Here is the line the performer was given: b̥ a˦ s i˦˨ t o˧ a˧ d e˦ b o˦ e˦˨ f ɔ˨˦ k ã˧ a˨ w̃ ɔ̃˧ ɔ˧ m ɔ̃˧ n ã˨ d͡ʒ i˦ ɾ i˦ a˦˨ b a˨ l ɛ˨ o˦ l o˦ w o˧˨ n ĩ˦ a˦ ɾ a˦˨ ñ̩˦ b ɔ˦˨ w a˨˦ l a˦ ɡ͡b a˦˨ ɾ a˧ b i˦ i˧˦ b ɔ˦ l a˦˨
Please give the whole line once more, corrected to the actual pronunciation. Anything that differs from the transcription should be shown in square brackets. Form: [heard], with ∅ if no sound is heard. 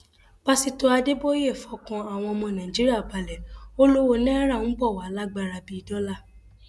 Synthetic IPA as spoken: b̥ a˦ s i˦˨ t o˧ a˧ d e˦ b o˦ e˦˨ f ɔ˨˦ k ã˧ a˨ w̃ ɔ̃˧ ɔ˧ m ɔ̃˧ n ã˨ d͡ʒ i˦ ɾ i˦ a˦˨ b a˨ l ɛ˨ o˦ l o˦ w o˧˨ n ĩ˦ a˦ ɾ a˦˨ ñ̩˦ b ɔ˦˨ w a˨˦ l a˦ ɡ͡b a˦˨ ɾ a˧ b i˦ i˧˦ [d] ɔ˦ l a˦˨

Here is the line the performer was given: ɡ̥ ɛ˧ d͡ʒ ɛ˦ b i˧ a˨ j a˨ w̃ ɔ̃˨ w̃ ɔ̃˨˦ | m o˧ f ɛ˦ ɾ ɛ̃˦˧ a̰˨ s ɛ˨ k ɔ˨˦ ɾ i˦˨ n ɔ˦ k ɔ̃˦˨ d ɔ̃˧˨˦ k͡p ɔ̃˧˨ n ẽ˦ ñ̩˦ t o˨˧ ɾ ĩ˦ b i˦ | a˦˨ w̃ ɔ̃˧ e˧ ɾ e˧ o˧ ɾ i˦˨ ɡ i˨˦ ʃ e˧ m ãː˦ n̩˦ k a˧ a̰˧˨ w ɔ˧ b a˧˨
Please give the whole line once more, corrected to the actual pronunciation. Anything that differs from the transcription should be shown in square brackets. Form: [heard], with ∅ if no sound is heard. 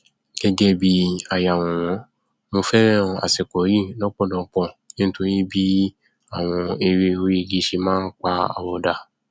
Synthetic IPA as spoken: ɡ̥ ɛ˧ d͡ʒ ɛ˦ b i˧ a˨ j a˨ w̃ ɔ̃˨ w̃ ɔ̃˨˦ | m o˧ f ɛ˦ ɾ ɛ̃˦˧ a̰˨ s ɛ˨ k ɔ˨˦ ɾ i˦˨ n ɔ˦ [k͡p] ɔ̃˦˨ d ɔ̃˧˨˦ k͡p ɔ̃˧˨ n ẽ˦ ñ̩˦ t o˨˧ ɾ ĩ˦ b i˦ | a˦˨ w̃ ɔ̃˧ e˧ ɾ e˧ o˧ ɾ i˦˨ ɡ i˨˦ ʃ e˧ m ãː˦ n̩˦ [k͡p] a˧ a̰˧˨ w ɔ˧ [d] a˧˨

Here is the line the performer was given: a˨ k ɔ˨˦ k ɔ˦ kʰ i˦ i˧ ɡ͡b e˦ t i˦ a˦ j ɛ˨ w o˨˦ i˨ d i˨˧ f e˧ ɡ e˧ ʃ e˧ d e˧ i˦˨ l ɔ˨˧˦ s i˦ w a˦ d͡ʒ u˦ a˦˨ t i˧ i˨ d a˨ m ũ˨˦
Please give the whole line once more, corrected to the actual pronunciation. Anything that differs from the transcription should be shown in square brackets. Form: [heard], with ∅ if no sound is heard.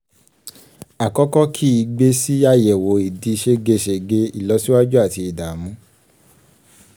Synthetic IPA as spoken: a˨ k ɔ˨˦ k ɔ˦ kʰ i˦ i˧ ɡ͡b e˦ [s] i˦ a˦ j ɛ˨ w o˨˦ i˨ d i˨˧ [ʃ] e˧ ɡ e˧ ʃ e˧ [ɡ] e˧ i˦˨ l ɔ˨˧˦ s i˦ w a˦ d͡ʒ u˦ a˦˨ t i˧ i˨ d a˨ m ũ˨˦

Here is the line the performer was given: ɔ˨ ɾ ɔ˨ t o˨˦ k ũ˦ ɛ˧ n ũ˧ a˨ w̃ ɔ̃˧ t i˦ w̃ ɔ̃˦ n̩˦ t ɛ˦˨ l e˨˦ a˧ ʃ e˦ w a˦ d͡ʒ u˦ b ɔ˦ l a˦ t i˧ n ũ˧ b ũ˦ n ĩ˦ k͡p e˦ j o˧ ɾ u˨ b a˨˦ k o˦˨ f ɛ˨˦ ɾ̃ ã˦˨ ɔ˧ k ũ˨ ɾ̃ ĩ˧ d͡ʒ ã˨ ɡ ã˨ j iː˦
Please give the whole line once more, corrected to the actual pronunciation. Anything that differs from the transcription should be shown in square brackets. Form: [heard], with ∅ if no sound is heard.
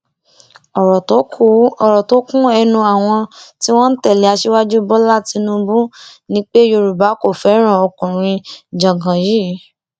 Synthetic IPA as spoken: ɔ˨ ɾ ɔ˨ t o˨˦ k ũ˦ ɛ˧ n ũ˧ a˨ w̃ ɔ̃˧ t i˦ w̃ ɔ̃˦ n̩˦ t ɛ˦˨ l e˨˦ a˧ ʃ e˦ w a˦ d͡ʒ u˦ b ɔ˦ l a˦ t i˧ n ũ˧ b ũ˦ n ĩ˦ k͡p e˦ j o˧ ɾ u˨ b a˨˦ k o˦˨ f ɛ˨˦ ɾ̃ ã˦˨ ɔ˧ k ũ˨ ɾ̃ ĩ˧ d͡ʒ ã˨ ɡ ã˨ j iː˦

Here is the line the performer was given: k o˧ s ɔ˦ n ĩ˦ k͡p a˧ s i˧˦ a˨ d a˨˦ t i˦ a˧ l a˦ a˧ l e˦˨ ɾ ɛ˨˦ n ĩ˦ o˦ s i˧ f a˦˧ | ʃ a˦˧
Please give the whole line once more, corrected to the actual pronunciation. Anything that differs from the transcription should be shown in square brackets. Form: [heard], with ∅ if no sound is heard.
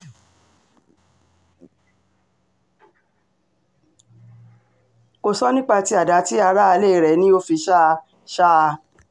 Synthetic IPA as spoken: k o˧ s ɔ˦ n ĩ˦ k͡p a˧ [t] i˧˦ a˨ d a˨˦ t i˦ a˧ [ɾ] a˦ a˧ l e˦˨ ɾ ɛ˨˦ n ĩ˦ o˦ [f] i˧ [ʃ] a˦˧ | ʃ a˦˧

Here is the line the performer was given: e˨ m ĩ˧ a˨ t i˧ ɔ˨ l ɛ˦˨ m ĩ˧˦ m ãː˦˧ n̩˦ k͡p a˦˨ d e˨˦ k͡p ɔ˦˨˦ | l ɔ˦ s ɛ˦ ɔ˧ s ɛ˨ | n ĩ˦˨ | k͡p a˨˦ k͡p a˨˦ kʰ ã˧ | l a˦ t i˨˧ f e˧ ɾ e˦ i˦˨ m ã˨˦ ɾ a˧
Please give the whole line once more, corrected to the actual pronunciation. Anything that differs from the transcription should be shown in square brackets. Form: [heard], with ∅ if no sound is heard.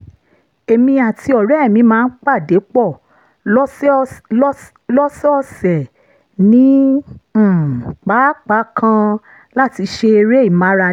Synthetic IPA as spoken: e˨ m ĩ˧ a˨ t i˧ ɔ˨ [ɾ] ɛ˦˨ m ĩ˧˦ m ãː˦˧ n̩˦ k͡p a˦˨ d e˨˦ k͡p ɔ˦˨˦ | l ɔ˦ s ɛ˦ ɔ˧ s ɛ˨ | n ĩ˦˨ | k͡p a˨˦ k͡p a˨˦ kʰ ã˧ | l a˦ t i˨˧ [ʃ] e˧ ɾ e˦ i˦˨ m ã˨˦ ɾ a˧

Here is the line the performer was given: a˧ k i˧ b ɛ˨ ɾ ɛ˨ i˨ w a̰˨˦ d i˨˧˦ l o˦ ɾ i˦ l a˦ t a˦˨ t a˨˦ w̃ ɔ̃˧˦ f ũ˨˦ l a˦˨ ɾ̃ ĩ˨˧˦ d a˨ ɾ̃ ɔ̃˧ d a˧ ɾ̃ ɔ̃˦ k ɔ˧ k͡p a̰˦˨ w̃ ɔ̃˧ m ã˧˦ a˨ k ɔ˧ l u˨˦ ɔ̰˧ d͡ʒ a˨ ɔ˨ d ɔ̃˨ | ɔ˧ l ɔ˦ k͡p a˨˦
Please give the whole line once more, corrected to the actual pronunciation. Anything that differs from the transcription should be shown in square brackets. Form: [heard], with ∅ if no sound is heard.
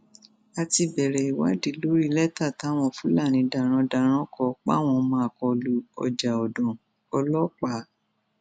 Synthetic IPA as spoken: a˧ [t] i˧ b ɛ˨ ɾ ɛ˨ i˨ w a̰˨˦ d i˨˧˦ l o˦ ɾ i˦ l [ɛ˦] t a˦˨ t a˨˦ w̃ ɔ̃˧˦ f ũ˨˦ l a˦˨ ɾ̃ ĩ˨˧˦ d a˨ ɾ̃ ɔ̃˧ d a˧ ɾ̃ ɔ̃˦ k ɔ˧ k͡p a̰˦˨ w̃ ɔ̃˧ m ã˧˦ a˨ k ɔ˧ l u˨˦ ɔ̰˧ d͡ʒ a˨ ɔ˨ d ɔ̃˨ | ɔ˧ l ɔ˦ k͡p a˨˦

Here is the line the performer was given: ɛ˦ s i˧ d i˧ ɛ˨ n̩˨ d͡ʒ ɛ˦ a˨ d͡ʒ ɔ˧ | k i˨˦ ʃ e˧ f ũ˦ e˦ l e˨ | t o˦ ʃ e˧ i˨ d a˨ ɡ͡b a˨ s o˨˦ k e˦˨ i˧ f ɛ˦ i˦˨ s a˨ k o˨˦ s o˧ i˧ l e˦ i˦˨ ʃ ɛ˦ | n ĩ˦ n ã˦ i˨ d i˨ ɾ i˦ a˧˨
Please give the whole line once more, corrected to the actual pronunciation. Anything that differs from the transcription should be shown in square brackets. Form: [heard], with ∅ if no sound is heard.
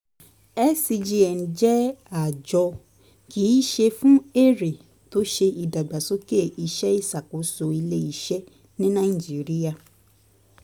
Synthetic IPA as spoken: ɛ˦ s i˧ [d͡ʒ] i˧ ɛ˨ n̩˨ d͡ʒ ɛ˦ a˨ d͡ʒ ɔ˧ | k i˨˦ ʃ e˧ f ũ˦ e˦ [ɾ] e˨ | t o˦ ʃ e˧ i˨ d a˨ ɡ͡b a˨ s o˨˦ k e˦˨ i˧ [ʃ] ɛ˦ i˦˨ s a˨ k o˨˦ s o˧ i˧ l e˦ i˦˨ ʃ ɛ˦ | n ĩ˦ n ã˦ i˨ [d͡ʒ] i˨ ɾ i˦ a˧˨

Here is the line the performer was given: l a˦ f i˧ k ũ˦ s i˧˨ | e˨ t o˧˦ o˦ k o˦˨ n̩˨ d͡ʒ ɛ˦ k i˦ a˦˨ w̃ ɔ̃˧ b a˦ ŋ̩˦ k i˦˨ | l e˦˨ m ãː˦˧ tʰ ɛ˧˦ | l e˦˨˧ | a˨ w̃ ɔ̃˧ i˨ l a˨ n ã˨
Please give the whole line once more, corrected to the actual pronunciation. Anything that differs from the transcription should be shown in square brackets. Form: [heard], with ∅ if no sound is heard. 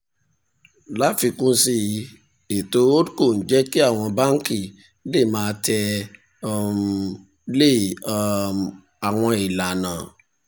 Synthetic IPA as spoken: l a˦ f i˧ k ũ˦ s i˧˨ | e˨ t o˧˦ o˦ k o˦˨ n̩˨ d͡ʒ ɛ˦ k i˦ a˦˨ w̃ ɔ̃˧ b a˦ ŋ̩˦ k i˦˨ | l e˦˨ m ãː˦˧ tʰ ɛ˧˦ | l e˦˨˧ | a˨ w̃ ɔ̃˧ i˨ l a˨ n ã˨

